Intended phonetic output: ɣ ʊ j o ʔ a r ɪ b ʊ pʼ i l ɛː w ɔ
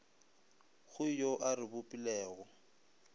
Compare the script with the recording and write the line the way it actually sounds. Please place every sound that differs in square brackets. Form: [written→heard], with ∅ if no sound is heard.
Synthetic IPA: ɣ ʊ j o ʔ a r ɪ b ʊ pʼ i l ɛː [w→ɣ] ɔ